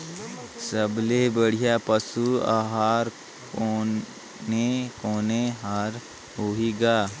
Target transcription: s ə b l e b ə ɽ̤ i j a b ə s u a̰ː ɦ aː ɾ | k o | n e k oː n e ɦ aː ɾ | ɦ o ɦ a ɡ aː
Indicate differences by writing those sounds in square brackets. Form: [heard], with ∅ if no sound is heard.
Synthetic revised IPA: s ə b l e b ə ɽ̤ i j a [p] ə s u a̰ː ɦ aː ɾ | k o | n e k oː n e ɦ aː ɾ | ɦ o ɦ [i] ɡ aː